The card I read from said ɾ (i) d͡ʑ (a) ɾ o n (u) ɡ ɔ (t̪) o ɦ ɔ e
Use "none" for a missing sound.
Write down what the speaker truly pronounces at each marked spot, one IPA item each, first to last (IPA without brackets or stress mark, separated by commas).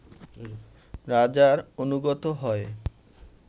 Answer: a, a, u, t̪